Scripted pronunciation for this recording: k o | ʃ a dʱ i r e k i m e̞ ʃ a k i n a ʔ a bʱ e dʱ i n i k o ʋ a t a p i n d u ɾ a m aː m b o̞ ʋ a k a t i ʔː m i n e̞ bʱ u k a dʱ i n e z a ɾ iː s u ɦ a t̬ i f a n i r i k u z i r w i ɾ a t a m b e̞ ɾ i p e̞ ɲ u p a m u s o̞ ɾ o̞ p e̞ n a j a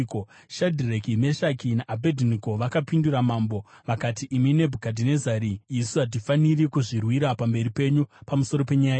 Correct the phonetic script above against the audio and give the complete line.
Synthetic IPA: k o | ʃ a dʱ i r e k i m e̞ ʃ a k i n a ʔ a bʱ e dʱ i n i k o ʋ a k a p i n d u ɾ a m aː m b o̞ ʋ a k a t i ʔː m i n e̞ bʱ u k a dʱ i n e z a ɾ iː s u ɦ a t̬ i f a n i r i k u ʐ i r w i ɾ a p a m b e̞ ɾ i p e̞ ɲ u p a m u s o̞ ɾ o̞ p e̞ ɲ a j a